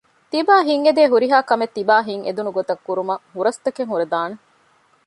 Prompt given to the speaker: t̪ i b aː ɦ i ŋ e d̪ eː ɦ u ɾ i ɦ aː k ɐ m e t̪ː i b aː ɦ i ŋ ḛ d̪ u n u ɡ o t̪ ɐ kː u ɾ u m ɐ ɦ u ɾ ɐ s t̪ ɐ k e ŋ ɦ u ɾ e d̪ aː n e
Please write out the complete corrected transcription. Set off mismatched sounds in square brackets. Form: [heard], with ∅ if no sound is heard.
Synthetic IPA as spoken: t̪ i b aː ɦ i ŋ e d̪ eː ɦ u ɾ i ɦ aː k ɐ m e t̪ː i b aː ɦ i ŋ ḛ d̪ u n u ɡ o t̪ ɐ kː u ɾ u m ɐ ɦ u ɾ ɐ s t̪ ɐ k e ŋ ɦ u ɾ e d̪ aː n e

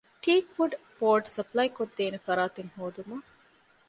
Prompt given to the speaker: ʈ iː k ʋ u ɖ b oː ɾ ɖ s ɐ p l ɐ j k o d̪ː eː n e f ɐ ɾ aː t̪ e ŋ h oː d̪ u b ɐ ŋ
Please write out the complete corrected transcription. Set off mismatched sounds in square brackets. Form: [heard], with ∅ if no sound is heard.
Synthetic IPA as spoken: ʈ iː k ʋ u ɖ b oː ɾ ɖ s ɐ p l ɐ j k o d̪ː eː n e f ɐ ɾ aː t̪ e ŋ h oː d̪ u [m] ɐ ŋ

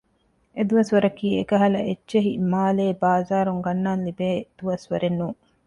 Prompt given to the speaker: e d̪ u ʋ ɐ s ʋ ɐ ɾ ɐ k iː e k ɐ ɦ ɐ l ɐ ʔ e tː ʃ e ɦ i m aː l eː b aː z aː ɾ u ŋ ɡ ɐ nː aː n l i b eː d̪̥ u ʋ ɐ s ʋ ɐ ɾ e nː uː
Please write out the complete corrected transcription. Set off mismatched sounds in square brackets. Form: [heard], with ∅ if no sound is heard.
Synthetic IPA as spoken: e d̪ u ʋ ɐ s ʋ ɐ ɾ ɐ k iː e k ɐ ɦ ɐ l ɐ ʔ e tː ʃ e ɦ i m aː l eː b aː z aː ɾ u ŋ ɡ ɐ nː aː n l i b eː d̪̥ u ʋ ɐ s ʋ ɐ ɾ e nː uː

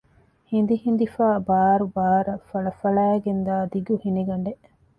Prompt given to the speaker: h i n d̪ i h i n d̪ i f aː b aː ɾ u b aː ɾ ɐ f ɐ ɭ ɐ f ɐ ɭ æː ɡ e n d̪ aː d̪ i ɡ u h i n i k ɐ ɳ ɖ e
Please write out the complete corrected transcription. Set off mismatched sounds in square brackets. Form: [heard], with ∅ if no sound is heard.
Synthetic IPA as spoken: h i n d̪ i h i n d̪ i f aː b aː ɾ u b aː ɾ ɐ f ɐ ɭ ɐ f ɐ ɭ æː ɡ e n d̪ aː d̪ i ɡ u h i n i [ɡ] ɐ ɳ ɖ e

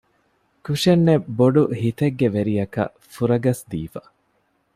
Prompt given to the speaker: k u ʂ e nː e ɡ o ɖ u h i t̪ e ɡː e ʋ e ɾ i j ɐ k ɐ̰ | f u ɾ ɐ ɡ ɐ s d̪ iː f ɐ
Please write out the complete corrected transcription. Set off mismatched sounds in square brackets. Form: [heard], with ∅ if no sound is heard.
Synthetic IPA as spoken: k u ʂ e nː e [b] o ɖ u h i t̪ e ɡː e ʋ e ɾ i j ɐ k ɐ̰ | f u ɾ ɐ ɡ ɐ s d̪ iː f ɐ

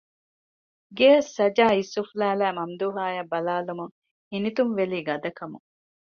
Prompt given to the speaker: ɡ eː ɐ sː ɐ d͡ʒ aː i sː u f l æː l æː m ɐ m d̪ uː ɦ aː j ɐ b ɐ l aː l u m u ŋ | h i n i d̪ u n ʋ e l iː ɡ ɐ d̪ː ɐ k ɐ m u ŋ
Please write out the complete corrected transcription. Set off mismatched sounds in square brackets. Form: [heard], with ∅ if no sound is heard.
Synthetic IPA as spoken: ɡ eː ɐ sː ɐ d͡ʒ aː i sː u f l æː l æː m ɐ m d̪ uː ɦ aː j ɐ b ɐ l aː l u m u ŋ | h i n i [t̪] u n ʋ e l iː ɡ ɐ [d̪] ɐ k ɐ m u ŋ

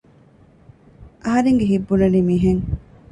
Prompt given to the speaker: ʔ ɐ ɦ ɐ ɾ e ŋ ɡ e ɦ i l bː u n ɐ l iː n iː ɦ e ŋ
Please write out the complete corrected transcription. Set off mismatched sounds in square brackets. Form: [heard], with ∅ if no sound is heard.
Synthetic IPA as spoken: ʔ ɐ ɦ ɐ ɾ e ŋ ɡ e ɦ i [∅] bː u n ɐ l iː [m] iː ɦ e ŋ

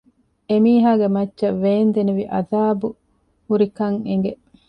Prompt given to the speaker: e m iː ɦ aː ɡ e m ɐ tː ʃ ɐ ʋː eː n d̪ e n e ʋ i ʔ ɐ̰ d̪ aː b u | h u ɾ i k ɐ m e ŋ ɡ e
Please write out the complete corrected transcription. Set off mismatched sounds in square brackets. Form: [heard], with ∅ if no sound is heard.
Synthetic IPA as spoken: e m iː ɦ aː ɡ e m ɐ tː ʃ ɐ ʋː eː n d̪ e n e ʋ i ʔ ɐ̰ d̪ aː b u | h u ɾ i k ɐ [ŋ] e ŋ ɡ e

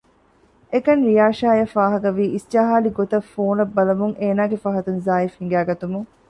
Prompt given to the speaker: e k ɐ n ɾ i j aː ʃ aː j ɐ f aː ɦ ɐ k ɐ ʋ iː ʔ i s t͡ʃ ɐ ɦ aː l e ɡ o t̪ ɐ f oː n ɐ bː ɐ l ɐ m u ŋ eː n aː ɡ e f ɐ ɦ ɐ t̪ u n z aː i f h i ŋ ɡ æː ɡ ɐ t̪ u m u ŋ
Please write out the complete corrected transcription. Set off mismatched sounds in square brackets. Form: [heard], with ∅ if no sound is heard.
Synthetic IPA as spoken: e k ɐ n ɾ i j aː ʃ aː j ɐ f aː ɦ ɐ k ɐ ʋ iː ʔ i s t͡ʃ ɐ ɦ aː l [i] ɡ o t̪ ɐ f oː n ɐ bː ɐ l ɐ m u ŋ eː n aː ɡ e f ɐ ɦ ɐ t̪ u n z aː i f h i ŋ ɡ æː ɡ ɐ t̪ u m u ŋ

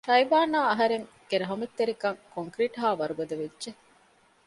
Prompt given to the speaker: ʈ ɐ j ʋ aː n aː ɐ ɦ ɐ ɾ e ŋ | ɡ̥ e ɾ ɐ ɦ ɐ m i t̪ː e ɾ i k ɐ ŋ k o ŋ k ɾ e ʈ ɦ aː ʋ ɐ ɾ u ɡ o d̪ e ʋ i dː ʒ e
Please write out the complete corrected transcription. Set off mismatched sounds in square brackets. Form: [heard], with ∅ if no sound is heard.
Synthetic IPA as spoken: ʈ ɐ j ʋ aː n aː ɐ ɦ ɐ ɾ e ŋ | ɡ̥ e ɾ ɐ ɦ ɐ m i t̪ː e ɾ i k ɐ ŋ k o ŋ k ɾ [i] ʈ ɦ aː ʋ ɐ ɾ u ɡ o d̪ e ʋ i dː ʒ e

